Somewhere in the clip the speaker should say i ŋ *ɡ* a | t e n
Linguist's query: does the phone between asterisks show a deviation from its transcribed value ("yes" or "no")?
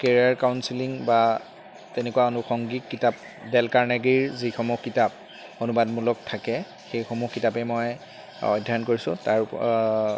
yes